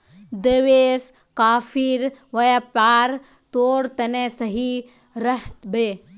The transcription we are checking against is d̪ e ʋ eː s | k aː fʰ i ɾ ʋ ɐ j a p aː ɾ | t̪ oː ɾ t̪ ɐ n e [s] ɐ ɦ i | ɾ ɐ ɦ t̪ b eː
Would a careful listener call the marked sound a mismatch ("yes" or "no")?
no